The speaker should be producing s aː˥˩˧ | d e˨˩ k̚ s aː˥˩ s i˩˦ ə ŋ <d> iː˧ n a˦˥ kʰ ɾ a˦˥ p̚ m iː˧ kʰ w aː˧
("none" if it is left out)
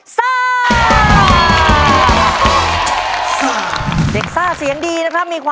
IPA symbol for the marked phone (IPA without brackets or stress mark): d